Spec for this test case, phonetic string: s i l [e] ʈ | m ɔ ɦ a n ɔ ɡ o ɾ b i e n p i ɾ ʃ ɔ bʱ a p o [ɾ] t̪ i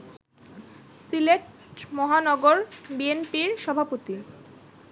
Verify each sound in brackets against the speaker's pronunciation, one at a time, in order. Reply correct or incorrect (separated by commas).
correct, incorrect